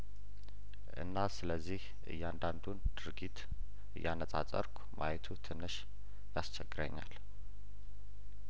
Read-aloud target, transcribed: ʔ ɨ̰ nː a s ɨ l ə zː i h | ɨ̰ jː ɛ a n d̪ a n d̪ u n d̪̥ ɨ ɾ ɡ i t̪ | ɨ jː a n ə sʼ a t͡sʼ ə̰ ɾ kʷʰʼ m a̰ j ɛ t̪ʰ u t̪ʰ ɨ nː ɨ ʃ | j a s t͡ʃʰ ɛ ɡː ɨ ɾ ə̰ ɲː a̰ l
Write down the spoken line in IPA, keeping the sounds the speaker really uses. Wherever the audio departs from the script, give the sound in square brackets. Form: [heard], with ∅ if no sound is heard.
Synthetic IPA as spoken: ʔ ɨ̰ nː a s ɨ l ə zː i h | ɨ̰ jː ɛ a n d̪ a n d̪ u n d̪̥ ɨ ɾ ɡ i t̪ | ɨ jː a n ə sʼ a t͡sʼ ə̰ ɾ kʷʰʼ m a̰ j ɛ t̪ʰ u t̪ʰ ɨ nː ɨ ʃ | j a s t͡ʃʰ ɛ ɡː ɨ ɾ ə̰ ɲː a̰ l